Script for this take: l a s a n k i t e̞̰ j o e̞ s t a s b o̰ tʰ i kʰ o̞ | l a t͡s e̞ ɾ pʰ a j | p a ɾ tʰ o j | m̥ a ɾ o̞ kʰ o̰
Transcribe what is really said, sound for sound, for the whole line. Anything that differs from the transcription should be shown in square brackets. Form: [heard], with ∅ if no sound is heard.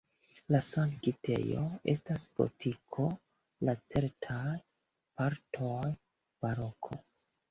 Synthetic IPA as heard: l a s a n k i t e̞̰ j o e̞ s t a s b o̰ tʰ i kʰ o̞ | l a t͡s e̞ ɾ [tʰ] a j | p a ɾ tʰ o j | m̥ a ɾ o̞ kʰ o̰